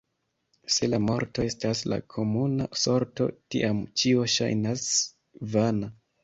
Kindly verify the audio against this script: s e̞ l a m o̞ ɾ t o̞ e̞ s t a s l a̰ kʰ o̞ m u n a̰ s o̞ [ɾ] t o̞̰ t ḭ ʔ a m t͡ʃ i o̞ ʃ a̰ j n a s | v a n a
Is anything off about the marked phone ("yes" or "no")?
no